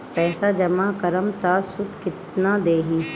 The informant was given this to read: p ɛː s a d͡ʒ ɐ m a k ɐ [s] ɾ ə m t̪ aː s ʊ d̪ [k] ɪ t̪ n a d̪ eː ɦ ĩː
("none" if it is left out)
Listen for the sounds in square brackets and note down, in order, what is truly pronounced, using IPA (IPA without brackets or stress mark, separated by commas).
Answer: none, k